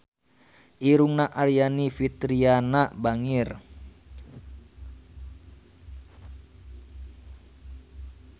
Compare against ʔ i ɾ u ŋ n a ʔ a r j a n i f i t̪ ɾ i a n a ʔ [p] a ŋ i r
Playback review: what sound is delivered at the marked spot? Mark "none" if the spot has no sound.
b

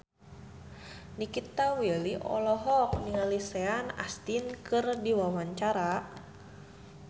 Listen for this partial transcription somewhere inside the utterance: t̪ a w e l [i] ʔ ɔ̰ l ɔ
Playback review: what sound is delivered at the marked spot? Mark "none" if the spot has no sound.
i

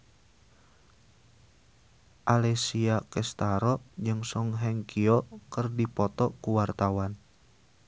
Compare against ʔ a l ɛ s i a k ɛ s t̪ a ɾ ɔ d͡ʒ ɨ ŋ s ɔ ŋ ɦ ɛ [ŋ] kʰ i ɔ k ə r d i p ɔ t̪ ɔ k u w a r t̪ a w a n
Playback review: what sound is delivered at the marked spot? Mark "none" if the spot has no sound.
ŋ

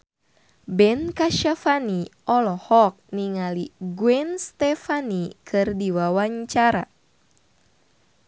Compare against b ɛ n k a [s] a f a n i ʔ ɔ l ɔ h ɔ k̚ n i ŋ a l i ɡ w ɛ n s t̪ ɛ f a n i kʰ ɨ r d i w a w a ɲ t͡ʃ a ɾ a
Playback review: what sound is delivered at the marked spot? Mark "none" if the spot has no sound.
ʃ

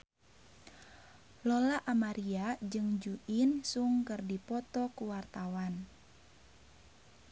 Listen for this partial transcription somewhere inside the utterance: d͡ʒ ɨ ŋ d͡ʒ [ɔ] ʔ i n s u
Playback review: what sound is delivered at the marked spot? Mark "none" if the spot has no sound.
u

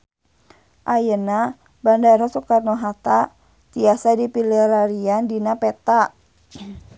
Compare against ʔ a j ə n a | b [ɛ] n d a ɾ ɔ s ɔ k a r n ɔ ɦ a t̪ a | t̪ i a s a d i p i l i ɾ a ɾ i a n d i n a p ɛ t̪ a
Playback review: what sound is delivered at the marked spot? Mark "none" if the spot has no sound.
a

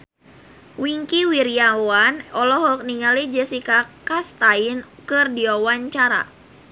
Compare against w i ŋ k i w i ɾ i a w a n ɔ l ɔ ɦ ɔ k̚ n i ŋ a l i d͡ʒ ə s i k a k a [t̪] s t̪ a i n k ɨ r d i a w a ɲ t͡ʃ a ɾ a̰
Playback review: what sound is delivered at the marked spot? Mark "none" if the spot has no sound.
none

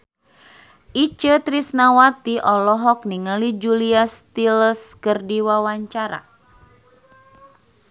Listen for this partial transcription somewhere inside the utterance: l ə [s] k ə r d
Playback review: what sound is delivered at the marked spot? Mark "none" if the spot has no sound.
s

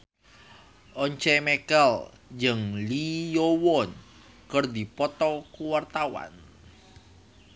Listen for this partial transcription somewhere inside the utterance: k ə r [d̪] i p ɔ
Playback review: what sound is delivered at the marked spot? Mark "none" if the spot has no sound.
d̪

